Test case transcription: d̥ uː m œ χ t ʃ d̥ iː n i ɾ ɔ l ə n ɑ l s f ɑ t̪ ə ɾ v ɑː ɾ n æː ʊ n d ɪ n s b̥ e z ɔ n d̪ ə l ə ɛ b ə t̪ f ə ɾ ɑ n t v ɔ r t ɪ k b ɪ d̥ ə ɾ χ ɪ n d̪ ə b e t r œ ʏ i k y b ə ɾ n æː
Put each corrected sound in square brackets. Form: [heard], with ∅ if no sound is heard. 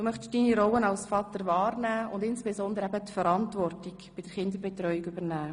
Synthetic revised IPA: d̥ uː m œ χ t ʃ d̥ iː n i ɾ ɔ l ə n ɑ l s f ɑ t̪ ə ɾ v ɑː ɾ n æː ʊ n d ɪ n s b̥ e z ɔ n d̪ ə [ɾ] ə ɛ b ə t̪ f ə ɾ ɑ n t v ɔ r t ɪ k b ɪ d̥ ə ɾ χ ɪ n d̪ ə b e t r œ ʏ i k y b ə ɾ n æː